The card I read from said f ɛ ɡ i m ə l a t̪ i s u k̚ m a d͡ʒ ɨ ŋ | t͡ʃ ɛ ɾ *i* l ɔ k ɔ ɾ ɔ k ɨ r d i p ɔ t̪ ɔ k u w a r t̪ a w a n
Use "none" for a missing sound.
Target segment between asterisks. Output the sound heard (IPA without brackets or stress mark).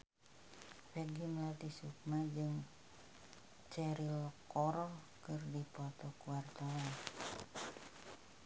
i